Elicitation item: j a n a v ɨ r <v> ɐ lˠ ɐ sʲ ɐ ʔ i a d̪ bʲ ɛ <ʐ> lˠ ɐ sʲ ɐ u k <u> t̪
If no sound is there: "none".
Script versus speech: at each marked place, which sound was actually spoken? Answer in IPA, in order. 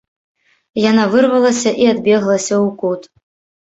v, ɣ, u

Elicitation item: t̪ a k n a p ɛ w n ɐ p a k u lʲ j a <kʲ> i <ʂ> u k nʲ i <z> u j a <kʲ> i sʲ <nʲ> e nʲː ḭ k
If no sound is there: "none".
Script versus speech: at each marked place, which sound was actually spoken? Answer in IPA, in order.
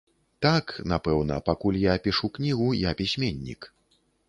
pʲ, ʂ, ɣ, pʲ, mʲ

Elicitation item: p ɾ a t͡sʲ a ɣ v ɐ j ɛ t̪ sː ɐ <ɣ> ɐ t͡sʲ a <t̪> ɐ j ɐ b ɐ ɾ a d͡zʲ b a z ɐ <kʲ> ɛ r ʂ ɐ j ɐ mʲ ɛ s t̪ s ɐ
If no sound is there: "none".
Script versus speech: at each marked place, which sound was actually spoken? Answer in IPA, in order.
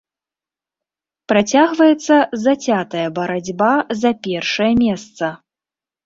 z, t̪, pʲ

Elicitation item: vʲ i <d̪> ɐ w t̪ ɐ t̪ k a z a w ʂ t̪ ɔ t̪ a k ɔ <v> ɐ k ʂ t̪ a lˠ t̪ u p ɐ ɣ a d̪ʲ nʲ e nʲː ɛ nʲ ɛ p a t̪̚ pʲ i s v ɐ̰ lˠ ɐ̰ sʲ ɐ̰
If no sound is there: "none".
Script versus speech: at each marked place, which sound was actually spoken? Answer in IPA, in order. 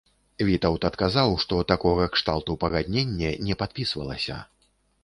t̪, ɣ

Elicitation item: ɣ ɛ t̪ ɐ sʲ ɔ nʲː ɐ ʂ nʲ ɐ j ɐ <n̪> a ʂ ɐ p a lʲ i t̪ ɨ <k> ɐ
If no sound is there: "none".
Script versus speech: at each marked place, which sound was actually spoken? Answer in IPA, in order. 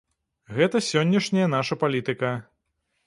n̪, k

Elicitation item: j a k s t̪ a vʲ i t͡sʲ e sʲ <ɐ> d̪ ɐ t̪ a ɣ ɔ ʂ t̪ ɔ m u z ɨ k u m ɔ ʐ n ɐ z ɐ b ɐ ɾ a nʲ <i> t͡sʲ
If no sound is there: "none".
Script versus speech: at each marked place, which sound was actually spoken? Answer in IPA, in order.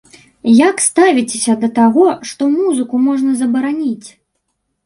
ɐ, i

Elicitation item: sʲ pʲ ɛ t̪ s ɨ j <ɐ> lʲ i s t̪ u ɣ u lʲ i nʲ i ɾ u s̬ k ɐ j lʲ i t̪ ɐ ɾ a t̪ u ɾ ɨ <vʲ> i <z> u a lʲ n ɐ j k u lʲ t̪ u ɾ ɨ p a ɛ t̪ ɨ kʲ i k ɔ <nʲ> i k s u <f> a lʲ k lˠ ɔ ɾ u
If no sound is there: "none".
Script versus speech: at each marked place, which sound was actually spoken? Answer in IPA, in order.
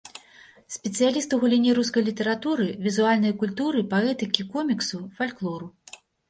a, vʲ, z, mʲ, f

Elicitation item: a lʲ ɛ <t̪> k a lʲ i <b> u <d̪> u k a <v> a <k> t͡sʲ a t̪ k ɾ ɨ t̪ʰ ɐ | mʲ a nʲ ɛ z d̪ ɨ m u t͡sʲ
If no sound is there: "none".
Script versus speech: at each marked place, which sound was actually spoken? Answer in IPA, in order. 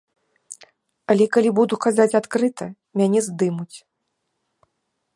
none, b, d̪, z, none

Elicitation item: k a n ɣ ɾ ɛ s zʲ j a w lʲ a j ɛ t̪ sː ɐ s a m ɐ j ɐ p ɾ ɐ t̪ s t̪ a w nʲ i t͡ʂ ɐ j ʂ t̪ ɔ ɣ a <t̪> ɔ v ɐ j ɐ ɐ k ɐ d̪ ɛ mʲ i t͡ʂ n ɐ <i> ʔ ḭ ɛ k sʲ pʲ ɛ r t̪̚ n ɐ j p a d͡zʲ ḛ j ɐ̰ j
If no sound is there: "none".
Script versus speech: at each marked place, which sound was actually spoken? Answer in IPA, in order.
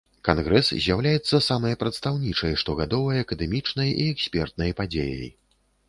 d̪, j

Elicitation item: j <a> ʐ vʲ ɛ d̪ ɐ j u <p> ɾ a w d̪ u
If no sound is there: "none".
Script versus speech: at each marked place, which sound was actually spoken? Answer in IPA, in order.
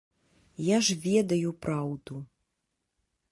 a, p

